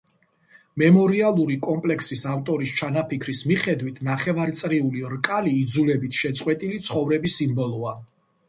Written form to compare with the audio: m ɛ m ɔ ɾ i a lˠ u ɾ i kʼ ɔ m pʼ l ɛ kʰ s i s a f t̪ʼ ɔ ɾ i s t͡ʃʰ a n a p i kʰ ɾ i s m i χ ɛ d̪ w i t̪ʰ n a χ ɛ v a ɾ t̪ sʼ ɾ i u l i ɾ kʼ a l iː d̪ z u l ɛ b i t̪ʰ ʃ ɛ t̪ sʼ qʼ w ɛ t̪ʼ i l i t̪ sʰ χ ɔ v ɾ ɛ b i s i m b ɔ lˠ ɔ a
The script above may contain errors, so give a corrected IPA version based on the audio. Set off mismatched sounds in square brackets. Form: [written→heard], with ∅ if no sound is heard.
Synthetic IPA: m ɛ m ɔ ɾ i a lˠ u ɾ i kʼ ɔ m pʼ l ɛ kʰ s i s a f t̪ʼ ɔ ɾ i s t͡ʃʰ a n a p i kʰ ɾ i s m i χ ɛ d̪ w i t̪ʰ n a χ ɛ v a ɾ t̪ sʼ ɾ i u l i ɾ kʼ a l iː d̪ z u l ɛ b i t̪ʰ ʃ ɛ t̪ sʼ qʼ w ɛ t̪ʼ i l i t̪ sʰ χ ɔ v ɾ ɛ b i s i m b ɔ lˠ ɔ a